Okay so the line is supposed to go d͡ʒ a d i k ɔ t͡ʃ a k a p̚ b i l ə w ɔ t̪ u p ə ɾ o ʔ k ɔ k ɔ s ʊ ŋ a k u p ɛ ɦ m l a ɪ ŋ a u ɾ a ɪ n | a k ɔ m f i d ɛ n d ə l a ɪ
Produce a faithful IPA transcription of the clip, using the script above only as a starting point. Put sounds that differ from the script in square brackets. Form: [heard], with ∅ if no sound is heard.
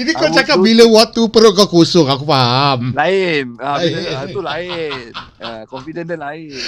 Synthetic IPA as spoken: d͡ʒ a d i k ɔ t͡ʃ a k a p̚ b i l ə w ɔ t̪ u p ə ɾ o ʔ k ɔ k [u] s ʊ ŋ a k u p [a] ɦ m l a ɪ [n] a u [l] a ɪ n | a k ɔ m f i d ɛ n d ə l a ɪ